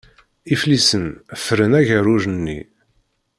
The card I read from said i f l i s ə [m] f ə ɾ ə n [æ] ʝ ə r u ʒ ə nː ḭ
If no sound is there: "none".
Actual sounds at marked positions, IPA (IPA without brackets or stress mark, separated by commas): n, æ